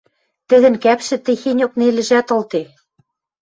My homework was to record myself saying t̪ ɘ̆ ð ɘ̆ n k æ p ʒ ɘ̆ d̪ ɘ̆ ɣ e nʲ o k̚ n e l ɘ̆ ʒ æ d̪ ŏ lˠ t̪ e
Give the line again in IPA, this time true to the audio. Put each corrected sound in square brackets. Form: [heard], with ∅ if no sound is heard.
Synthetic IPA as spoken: t̪ ɘ̆ ð ɘ̆ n k æ p [ʃ] ɘ̆ [t̪] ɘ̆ [x] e nʲ o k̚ n e l ɘ̆ ʒ æ [t̪] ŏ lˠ t̪ e